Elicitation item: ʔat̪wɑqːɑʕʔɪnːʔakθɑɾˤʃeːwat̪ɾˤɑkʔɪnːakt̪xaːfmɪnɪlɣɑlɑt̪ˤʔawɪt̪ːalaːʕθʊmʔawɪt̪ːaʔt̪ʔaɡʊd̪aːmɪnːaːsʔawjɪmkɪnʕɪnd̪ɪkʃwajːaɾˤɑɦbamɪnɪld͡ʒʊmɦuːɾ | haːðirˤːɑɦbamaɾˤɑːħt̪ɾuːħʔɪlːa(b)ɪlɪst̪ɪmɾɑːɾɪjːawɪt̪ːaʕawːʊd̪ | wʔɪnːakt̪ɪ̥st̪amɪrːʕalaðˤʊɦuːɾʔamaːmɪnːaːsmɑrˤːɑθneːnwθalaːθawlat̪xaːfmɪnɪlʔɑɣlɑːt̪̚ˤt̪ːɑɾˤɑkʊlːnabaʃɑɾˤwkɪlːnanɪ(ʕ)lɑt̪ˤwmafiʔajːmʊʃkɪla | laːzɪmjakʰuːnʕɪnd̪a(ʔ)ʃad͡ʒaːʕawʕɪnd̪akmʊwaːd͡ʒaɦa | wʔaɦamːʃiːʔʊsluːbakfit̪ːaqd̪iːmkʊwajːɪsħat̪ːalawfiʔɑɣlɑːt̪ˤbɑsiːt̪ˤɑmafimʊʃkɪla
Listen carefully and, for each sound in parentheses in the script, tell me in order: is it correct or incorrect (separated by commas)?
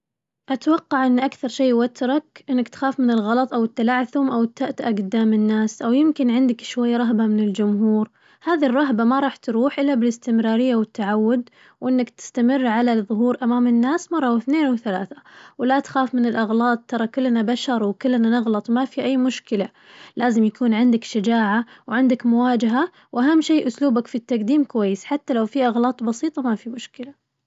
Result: correct, incorrect, incorrect